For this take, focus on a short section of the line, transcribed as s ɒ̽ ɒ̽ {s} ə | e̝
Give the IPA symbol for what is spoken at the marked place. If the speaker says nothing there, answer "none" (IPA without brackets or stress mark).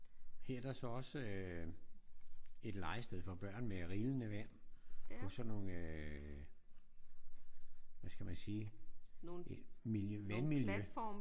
s